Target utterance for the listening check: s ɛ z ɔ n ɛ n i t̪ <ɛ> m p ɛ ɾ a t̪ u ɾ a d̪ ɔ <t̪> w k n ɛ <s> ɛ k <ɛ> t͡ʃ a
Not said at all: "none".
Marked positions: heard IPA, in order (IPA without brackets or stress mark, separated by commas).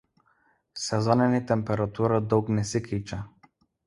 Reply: ɛ, none, s, i